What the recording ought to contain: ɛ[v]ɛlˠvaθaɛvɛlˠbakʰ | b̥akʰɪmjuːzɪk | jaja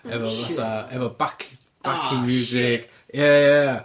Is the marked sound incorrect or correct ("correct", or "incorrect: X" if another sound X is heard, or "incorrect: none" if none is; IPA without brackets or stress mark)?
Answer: correct